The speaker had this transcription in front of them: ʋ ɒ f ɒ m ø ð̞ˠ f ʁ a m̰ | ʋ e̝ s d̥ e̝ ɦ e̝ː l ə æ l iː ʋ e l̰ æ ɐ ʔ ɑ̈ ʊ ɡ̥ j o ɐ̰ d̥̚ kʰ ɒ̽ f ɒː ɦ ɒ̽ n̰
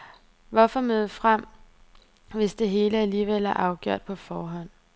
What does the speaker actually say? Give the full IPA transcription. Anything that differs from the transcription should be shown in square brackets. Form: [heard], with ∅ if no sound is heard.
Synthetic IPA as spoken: ʋ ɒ f ɒ m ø ð̞ˠ f ʁ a m̰ | ʋ e̝ s d̥ e̝ ɦ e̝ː l ə æ l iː ʋ e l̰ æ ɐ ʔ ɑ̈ ʊ ɡ̥ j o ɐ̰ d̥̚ [pʰ] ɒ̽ f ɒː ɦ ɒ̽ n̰